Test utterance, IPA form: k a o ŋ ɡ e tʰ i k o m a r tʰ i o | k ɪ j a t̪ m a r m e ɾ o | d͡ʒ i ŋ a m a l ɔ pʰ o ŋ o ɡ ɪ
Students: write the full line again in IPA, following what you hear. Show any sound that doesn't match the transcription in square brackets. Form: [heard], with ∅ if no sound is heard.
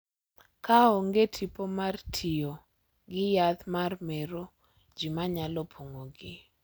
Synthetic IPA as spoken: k a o ŋ ɡ e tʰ i [p] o m a r tʰ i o | [ɡ] ɪ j a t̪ m a r m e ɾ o | d͡ʒ i [m] a [ɲ] a l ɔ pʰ o ŋ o ɡ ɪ